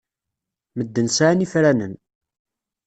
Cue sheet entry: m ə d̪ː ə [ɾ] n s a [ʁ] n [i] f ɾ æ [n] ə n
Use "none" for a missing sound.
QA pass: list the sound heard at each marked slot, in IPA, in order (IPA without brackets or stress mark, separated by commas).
none, ʕ, i, n